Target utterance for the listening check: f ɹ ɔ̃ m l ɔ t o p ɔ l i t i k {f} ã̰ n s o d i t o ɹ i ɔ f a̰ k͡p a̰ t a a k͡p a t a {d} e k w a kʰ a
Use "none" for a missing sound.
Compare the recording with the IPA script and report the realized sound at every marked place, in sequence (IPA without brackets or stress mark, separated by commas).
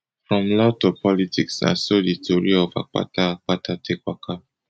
s, t